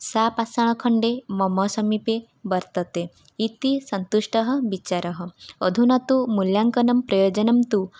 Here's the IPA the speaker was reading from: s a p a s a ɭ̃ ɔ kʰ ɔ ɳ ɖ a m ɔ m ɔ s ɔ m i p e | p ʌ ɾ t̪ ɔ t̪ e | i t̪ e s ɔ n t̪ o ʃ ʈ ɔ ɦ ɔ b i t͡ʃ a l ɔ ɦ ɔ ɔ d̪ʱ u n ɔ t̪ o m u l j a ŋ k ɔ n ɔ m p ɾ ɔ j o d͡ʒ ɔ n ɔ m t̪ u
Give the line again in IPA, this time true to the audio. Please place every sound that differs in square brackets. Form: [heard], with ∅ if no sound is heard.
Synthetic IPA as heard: s a p a s a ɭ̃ ɔ kʰ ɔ ɳ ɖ [e] m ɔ m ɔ s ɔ m i p e | [b] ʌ ɾ t̪ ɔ t̪ e | i t̪ [i] s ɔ n t̪ [u] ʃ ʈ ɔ ɦ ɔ b i t͡ʃ a [ɾ] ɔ ɦ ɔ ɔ d̪ʱ u n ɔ t̪ [u] m u l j a ŋ k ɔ n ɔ m p ɾ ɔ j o d͡ʒ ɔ n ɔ m t̪ u

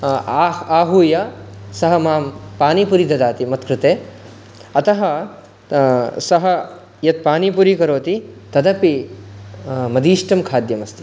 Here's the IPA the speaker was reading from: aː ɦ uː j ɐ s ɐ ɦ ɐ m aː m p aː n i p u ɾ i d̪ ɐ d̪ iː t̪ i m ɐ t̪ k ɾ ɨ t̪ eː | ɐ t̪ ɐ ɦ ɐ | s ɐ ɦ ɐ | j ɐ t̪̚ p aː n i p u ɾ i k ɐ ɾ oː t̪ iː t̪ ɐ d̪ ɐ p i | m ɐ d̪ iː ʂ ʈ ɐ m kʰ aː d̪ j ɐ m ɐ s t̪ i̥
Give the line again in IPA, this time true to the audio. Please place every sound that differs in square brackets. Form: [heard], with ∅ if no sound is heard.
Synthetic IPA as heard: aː ɦ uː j ɐ s ɐ ɦ ɐ m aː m p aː n i p u ɾ i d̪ ɐ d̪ [aː] t̪ i m ɐ t̪ k ɾ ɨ t̪ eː | ɐ t̪ ɐ ɦ ɐ | s ɐ ɦ ɐ | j ɐ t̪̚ p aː n i p u ɾ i k ɐ ɾ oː t̪ [i] t̪ ɐ d̪ ɐ p i | m ɐ d̪ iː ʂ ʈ ɐ m kʰ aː d̪ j ɐ m ɐ s t̪ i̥

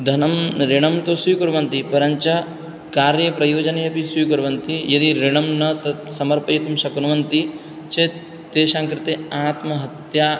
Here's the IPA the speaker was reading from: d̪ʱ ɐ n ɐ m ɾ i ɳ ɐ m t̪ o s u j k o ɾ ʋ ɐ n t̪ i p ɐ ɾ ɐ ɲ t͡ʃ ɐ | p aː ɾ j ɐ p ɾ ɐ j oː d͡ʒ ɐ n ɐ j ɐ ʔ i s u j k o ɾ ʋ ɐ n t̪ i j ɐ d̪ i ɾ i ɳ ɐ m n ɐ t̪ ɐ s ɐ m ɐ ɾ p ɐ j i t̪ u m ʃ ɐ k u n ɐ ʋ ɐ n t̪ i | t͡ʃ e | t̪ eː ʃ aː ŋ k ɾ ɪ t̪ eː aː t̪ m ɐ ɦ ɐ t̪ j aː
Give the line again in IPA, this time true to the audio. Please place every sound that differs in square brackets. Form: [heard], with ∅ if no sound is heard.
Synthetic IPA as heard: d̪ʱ ɐ n ɐ m ɾ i ɳ ɐ m t̪ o s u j k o ɾ ʋ ɐ n t̪ i p ɐ ɾ ɐ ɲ t͡ʃ ɐ | [k] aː ɾ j ɐ p ɾ ɐ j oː d͡ʒ ɐ n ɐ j ɐ [p] i s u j k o ɾ ʋ ɐ n t̪ i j ɐ d̪ i ɾ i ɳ ɐ m n ɐ t̪ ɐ s ɐ m ɐ ɾ p ɐ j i t̪ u m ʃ ɐ k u n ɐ ʋ ɐ n t̪ i | t͡ʃ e | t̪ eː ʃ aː ŋ k ɾ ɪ t̪ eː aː t̪ m ɐ ɦ ɐ t̪ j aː

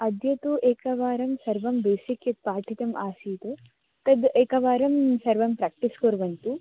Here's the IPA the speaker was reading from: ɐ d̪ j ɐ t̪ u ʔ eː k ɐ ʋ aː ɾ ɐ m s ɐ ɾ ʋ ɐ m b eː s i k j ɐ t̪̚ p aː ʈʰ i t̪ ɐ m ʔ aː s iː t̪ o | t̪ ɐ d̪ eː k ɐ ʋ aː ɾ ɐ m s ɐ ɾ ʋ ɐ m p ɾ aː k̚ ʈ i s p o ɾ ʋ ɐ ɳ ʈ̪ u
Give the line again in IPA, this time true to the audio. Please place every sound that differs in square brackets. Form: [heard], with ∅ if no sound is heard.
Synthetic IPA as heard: ɐ d̪ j ɐ t̪ u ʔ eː k ɐ ʋ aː ɾ ɐ m s ɐ ɾ ʋ ɐ m b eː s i k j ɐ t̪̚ p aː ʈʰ i t̪ ɐ m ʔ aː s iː t̪ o | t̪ ɐ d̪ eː k ɐ ʋ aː ɾ ɐ m s ɐ ɾ ʋ ɐ m p ɾ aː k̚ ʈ i s [k] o ɾ ʋ ɐ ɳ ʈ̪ u

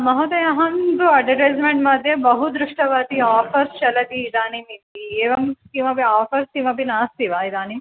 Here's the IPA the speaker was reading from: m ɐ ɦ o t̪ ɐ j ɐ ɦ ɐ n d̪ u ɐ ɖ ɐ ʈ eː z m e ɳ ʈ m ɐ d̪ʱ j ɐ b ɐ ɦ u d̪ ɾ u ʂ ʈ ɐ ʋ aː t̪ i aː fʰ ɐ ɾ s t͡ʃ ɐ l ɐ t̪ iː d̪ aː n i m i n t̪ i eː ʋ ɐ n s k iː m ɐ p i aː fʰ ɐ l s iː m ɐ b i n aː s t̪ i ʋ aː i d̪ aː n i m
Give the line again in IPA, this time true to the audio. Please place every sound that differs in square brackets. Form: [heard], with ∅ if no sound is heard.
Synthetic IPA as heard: m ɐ ɦ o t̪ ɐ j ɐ ɦ ɐ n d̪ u ɐ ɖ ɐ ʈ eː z m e ɳ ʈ m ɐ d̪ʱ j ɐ b ɐ ɦ u d̪ ɾ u ʂ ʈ ɐ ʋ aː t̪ i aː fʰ ɐ ɾ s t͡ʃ ɐ l ɐ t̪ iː d̪ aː n i m i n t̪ i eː ʋ ɐ [m] s k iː m ɐ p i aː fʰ ɐ [ɾ] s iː m ɐ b i n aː s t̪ i ʋ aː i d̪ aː n i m

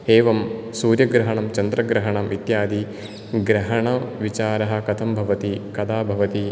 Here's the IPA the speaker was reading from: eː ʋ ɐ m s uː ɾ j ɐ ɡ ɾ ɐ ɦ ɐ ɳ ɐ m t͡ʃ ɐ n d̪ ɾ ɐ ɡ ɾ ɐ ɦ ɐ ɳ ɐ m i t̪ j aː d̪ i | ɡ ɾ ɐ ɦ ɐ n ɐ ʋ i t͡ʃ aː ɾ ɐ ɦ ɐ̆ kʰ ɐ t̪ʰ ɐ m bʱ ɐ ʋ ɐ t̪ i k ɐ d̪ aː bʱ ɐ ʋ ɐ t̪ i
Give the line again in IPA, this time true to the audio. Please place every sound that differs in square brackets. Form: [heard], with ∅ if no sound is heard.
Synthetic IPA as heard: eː ʋ ɐ m s uː ɾ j ɐ ɡ ɾ ɐ ɦ ɐ ɳ ɐ m t͡ʃ ɐ n d̪ ɾ ɐ ɡ ɾ ɐ ɦ ɐ ɳ ɐ m i t̪ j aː d̪ i | ɡ ɾ ɐ ɦ ɐ [ɳ] ɐ ʋ i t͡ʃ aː ɾ ɐ ɦ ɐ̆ [k] ɐ t̪ʰ ɐ m bʱ ɐ ʋ ɐ t̪ i k ɐ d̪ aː bʱ ɐ ʋ ɐ t̪ i

